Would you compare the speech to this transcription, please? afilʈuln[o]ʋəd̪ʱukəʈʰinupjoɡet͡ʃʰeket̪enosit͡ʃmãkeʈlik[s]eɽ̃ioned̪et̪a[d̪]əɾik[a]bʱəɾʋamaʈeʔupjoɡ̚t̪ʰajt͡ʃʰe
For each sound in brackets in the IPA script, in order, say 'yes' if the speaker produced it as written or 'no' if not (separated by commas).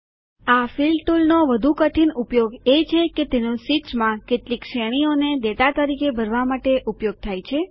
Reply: yes, no, no, no